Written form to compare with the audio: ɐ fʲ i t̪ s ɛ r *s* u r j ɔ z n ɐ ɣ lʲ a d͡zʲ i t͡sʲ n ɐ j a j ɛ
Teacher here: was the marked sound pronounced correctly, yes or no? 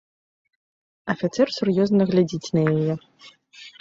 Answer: yes